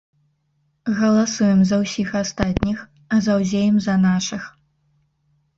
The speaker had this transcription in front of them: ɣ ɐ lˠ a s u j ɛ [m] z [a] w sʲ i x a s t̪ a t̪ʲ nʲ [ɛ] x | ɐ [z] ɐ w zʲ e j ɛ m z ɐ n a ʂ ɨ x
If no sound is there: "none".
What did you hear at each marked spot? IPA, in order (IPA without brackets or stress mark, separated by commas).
m, ɐ, i, z